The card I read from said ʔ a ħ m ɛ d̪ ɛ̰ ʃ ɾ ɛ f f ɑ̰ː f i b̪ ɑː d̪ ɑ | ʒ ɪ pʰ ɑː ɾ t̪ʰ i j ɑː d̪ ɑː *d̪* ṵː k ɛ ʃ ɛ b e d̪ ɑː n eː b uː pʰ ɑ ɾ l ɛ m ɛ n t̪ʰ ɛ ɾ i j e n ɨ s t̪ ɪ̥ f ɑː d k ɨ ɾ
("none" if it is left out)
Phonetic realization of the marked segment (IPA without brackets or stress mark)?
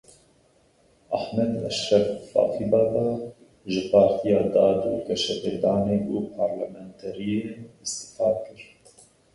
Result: d̪